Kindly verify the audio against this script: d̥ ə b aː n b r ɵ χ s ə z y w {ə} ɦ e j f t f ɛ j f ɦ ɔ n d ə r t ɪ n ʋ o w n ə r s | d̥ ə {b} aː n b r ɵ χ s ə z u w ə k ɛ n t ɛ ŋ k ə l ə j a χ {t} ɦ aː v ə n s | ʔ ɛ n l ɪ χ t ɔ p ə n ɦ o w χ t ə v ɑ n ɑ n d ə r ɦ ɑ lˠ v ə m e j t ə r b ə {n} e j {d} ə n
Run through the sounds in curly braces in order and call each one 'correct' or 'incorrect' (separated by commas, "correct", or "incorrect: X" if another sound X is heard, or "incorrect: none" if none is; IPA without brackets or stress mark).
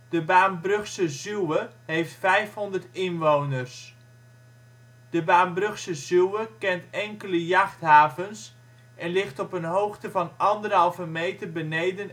correct, correct, correct, correct, correct